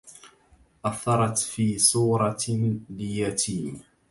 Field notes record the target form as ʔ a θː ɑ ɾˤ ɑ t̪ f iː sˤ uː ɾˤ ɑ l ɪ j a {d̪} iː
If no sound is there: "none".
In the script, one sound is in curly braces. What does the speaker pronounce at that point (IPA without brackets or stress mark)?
t̪